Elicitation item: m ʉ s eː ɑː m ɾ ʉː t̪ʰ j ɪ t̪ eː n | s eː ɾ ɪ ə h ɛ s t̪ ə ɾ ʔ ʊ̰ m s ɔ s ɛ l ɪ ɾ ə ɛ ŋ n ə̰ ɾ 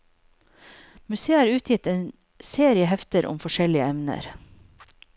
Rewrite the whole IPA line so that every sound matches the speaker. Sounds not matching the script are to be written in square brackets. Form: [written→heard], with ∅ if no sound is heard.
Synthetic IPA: m ʉ s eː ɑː [m→∅] ɾ ʉː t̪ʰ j ɪ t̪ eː n | s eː ɾ ɪ ə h ɛ [s→f] t̪ ə ɾ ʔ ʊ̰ m [s→f] ɔ [s→ʃ] ɛ l ɪ [ɾ→∅] ə ɛ [ŋ→m] n ə̰ ɾ